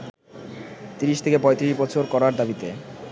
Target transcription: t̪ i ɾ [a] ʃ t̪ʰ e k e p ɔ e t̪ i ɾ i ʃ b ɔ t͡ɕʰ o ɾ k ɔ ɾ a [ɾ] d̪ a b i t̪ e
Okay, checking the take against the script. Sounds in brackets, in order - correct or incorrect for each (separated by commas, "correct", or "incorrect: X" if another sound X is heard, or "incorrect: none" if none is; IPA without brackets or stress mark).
incorrect: i, correct